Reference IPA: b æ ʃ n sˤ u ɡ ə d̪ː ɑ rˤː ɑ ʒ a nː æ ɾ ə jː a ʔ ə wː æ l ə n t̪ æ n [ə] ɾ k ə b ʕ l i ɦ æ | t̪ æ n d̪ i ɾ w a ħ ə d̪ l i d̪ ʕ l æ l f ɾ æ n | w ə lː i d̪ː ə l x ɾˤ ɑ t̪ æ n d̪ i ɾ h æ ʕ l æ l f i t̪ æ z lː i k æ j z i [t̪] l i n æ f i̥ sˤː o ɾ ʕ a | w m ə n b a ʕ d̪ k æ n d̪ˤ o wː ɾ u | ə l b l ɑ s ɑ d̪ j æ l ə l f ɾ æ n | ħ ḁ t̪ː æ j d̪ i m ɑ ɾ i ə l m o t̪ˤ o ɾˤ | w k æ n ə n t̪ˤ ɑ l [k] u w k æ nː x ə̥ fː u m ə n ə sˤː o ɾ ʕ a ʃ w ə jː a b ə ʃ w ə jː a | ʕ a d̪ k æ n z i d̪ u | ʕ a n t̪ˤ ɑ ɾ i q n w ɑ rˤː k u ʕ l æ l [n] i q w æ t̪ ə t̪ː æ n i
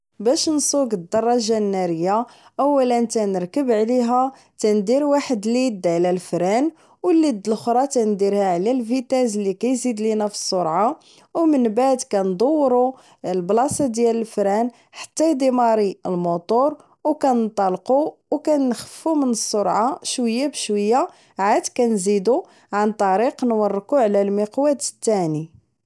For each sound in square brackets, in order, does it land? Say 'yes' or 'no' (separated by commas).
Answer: yes, no, no, no